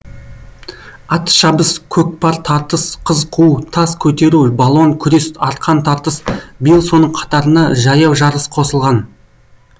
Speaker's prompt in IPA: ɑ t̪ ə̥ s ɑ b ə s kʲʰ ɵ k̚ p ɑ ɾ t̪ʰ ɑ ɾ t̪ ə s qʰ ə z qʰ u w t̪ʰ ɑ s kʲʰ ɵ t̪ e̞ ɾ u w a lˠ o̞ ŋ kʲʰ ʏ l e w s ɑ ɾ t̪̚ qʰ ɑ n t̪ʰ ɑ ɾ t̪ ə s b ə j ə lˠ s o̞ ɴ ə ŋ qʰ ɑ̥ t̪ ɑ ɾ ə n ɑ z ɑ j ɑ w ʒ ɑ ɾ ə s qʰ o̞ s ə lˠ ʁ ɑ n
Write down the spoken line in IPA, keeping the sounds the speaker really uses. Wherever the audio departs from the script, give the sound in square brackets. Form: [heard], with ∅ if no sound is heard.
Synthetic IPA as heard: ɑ t̪ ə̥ [ʃ] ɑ b ə s kʲʰ ɵ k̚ p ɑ ɾ t̪ʰ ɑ ɾ t̪ ə s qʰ ə z qʰ u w t̪ʰ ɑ s kʲʰ ɵ t̪ e̞ ɾ u [b] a lˠ o̞ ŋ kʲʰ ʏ [ɾ] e [∅] s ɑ ɾ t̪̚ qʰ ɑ n t̪ʰ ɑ ɾ t̪ ə s b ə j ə lˠ s o̞ [n] ə [ɴ] qʰ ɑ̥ t̪ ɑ ɾ ə n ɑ [ʒ] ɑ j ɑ w ʒ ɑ ɾ ə s qʰ o̞ s ə lˠ ʁ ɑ n